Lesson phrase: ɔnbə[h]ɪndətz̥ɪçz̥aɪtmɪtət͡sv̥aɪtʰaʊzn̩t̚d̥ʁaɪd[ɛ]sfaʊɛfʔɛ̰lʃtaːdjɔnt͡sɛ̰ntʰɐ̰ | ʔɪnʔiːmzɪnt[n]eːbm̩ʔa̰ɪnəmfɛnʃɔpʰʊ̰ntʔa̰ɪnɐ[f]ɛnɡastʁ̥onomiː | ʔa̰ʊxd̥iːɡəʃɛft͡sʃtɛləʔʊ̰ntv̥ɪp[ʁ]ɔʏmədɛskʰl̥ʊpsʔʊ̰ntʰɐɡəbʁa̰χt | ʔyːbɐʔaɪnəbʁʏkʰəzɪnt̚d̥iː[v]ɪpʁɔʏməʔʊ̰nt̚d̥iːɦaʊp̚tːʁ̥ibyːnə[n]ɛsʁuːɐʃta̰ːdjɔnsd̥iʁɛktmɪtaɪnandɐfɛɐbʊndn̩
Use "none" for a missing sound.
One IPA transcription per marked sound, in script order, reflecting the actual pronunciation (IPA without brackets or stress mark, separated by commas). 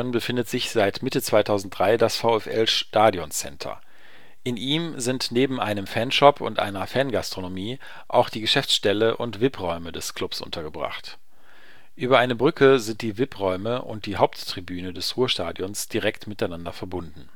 f, a, n, f, ʁ, v, d